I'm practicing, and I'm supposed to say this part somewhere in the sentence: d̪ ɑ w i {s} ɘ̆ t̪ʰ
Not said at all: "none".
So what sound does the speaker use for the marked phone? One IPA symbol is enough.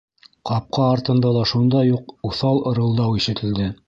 ʃ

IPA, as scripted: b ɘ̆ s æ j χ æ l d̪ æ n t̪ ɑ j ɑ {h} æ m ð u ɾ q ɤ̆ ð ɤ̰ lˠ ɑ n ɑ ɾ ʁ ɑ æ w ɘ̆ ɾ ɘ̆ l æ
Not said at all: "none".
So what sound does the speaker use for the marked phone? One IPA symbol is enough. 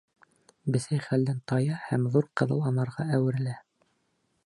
h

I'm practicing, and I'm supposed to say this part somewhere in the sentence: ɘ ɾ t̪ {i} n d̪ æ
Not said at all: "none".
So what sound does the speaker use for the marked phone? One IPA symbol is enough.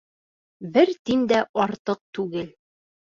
i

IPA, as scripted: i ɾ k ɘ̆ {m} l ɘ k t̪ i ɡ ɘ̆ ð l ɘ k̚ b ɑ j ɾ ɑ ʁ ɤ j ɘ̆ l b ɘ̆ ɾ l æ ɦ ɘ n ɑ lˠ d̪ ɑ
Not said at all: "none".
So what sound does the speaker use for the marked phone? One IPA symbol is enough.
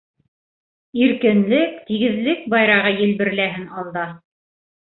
n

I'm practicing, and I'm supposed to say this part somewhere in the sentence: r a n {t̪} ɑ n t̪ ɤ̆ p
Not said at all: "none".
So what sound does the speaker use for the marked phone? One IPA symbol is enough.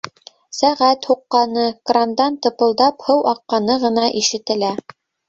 d̪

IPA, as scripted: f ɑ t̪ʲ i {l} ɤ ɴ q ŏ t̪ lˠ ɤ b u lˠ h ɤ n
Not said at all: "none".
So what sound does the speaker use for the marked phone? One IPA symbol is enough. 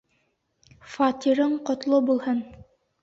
ɾ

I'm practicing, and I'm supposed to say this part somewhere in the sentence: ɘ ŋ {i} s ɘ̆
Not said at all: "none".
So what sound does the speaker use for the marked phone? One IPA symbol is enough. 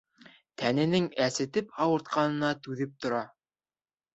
æ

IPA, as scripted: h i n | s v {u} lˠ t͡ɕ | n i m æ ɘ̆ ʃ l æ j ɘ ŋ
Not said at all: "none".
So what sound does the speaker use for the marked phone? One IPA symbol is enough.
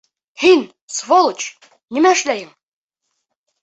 o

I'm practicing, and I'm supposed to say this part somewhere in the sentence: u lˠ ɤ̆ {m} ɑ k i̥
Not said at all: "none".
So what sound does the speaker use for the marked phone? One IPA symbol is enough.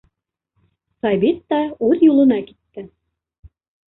n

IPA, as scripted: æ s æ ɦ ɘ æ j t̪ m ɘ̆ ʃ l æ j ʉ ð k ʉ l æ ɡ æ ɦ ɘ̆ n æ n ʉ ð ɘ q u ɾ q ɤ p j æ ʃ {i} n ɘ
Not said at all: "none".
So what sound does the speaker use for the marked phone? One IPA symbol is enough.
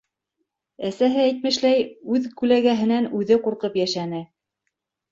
æ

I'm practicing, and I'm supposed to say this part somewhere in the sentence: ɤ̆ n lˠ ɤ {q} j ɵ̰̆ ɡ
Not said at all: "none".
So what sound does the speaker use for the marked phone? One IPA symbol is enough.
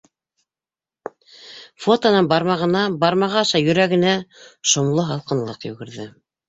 q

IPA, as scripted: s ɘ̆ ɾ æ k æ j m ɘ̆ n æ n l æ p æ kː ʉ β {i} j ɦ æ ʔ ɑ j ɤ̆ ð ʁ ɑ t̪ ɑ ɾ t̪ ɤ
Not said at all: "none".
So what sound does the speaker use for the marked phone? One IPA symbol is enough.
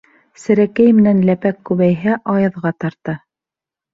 æ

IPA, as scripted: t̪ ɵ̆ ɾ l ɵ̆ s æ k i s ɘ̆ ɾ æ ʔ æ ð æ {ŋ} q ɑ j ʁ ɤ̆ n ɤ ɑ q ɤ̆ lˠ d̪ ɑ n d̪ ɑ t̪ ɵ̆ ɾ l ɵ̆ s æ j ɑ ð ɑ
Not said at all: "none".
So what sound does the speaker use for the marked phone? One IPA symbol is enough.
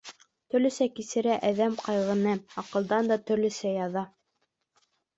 m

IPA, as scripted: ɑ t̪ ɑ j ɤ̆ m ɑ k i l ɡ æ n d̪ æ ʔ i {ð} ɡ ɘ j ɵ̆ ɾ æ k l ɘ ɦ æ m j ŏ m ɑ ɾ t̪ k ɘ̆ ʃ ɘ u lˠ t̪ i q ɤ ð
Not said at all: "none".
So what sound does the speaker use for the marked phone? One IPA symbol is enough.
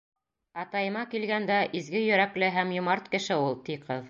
z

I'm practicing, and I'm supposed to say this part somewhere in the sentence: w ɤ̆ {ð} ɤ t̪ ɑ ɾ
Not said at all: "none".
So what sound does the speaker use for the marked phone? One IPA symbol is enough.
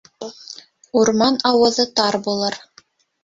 ð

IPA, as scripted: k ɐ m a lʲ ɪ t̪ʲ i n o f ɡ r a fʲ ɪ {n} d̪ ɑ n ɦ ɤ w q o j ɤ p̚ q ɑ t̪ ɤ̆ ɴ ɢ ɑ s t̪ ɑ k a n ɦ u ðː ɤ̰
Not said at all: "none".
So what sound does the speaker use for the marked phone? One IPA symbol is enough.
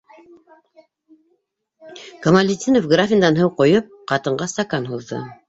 n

